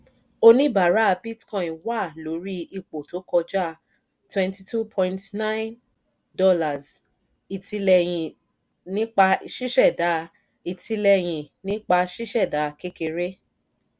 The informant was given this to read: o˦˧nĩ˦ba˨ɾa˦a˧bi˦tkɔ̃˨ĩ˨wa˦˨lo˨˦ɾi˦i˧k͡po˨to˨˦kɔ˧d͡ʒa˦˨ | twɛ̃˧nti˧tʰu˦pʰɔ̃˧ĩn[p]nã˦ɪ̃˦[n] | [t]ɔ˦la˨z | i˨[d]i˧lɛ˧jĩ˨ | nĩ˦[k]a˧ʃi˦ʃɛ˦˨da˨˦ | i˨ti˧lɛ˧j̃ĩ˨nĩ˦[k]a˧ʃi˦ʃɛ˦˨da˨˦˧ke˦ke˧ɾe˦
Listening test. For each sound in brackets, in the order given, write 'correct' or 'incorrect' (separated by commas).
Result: incorrect, correct, incorrect, incorrect, incorrect, incorrect